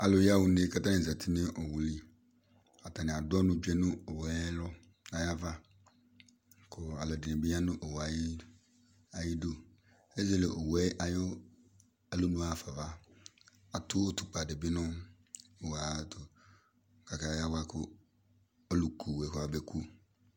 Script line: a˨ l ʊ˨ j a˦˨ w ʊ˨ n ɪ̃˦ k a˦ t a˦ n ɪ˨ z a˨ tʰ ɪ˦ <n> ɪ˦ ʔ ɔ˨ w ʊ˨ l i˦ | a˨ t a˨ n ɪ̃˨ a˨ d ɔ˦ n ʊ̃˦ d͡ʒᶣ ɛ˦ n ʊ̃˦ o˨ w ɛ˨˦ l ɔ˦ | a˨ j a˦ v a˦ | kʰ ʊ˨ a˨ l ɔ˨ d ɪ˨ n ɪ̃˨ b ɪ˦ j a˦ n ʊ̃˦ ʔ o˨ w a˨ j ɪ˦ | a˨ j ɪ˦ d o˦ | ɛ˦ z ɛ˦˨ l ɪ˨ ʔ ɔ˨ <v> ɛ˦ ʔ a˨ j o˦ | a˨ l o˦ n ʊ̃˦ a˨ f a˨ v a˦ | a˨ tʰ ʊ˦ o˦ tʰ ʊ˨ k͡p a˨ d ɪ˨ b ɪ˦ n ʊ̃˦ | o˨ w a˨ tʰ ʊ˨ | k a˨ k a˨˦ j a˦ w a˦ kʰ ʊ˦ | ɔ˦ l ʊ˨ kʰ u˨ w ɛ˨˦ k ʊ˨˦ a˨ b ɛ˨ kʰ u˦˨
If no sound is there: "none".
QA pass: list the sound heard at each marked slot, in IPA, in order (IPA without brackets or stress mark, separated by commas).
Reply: n, w